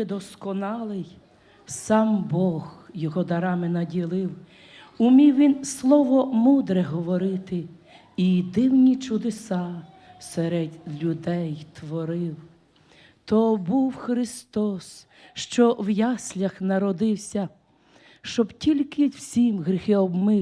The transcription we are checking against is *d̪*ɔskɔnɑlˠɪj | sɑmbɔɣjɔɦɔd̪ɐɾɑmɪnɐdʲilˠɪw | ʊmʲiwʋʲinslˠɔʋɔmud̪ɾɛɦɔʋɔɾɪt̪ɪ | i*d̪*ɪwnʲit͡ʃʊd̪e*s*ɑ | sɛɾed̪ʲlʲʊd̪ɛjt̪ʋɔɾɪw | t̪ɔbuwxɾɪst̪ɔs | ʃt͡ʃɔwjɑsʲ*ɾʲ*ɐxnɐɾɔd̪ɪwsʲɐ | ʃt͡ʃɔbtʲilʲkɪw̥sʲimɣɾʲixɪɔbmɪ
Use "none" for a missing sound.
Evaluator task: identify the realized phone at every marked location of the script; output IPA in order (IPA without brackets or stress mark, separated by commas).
d̪, d̪, s, lʲ